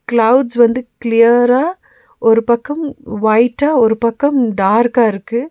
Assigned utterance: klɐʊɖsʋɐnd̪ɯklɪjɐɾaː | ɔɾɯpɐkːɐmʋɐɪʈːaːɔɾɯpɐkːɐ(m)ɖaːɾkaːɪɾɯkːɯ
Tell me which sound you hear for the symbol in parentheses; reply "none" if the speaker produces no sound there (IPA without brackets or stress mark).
m